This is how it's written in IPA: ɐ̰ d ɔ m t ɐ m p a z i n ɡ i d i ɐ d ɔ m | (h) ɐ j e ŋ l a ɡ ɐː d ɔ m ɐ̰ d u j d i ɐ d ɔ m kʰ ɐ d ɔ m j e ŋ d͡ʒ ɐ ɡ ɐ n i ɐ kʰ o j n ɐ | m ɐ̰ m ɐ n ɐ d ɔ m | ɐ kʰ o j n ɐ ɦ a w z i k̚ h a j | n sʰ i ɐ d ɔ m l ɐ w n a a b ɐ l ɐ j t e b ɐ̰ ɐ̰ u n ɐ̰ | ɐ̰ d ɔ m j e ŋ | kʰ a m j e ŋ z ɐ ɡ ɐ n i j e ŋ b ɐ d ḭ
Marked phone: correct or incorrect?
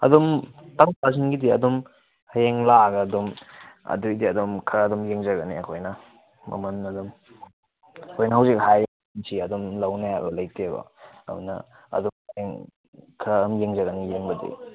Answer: correct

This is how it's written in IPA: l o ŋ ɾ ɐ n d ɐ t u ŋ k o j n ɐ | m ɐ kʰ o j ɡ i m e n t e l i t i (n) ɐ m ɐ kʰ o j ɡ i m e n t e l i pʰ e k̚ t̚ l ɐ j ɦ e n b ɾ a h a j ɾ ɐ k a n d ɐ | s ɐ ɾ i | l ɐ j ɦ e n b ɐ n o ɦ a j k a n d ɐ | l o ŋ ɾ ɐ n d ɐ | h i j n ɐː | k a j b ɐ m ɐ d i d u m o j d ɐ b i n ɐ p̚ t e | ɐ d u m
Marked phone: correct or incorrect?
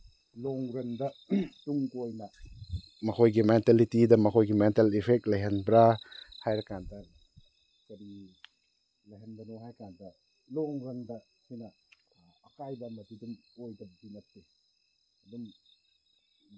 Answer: incorrect: d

